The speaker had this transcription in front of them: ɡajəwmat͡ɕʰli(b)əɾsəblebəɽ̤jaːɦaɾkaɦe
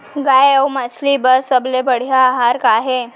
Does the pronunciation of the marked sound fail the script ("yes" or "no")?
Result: no